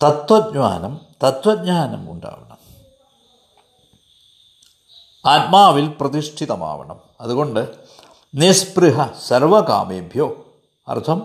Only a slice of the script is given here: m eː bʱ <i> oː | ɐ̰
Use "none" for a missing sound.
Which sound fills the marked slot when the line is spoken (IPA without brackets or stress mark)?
j